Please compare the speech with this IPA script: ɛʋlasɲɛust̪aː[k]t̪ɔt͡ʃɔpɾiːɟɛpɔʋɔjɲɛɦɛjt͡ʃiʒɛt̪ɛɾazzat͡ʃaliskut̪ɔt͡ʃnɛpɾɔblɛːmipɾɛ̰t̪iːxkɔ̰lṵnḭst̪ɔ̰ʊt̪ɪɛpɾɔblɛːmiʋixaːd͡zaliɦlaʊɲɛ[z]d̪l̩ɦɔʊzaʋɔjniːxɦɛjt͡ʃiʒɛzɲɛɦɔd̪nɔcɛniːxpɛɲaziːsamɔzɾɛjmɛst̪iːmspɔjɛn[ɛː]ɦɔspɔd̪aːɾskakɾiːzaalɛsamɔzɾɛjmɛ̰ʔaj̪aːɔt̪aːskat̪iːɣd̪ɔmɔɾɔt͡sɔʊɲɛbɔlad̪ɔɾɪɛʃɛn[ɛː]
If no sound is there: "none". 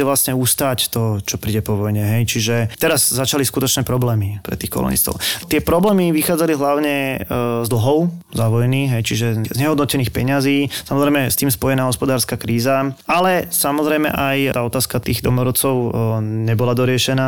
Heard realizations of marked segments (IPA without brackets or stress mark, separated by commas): c, z, aː, aː